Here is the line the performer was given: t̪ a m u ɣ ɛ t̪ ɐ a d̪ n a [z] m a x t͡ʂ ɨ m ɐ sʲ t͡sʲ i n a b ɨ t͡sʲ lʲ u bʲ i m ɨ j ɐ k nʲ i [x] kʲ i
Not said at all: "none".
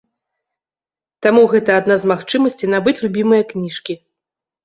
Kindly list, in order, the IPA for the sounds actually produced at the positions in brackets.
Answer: z, ʂ

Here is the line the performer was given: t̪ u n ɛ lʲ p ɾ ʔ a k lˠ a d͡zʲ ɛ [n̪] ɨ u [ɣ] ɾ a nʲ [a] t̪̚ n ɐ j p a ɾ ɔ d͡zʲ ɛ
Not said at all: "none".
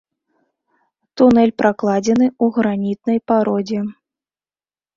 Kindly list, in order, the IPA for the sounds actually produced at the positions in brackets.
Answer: n̪, ɣ, i

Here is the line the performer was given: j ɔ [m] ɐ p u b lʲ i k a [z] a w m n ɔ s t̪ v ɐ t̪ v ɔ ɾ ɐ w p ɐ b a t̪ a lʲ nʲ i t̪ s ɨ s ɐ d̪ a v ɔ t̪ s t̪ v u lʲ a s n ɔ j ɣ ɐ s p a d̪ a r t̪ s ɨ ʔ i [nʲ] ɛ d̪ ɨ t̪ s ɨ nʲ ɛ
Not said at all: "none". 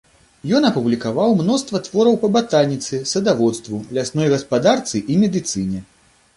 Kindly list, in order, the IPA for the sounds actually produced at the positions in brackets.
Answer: n, v, mʲ

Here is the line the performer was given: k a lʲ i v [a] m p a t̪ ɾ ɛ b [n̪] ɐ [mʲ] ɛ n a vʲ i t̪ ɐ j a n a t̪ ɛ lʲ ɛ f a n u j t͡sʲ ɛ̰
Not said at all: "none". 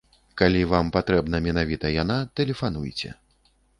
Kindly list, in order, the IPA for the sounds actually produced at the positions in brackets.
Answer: a, n̪, mʲ

